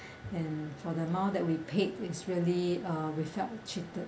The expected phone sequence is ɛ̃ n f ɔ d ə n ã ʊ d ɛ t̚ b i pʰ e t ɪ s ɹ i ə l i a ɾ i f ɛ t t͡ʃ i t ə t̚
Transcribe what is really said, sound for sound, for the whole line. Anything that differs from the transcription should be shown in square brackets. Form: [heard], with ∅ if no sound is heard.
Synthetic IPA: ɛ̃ n f ɔ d ə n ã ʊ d ɛ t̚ [w] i pʰ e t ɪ s ɹ i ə l i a [ɹ] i f ɛ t t͡ʃ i t ə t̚